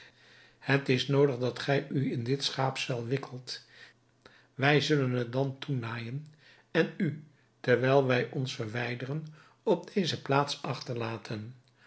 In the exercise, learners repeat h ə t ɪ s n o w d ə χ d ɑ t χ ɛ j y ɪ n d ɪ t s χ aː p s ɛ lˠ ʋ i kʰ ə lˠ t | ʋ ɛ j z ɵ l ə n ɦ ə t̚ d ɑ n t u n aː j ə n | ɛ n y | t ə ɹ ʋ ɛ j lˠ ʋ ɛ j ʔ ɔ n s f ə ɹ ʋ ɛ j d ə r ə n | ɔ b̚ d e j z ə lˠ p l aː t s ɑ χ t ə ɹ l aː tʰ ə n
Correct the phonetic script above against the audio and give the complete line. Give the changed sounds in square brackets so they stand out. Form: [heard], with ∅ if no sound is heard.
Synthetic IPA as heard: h ə t ɪ s n o w d ə χ d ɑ t χ ɛ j y ɪ n d ɪ t s χ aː p s ɛ lˠ ʋ [ɪ] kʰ ə lˠ t | ʋ ɛ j z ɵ l ə n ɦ ə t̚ d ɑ n t u n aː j ə n | ɛ n y | t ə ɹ ʋ ɛ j lˠ ʋ ɛ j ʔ ɔ n s f ə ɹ ʋ ɛ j d ə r ə n | ɔ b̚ d e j z ə [∅] p l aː t s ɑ χ t ə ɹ l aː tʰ ə n